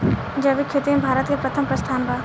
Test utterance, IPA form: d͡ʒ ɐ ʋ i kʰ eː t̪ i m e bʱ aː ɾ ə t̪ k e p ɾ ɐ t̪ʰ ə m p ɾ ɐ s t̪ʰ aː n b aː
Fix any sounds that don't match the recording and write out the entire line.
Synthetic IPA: d͡ʒ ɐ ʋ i kʰ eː t̪ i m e bʱ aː ɾ ə t̪ k e p ɾ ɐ t̪ʰ ə m p ɾ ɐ s t̪ʰ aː n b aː